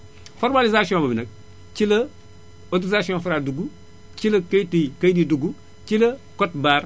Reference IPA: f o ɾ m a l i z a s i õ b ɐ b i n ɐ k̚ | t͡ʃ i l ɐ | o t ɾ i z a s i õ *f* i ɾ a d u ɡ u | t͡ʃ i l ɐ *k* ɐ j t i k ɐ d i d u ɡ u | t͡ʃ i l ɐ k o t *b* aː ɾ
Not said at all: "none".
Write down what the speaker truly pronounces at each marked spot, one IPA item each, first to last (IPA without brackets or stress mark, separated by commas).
f, k, b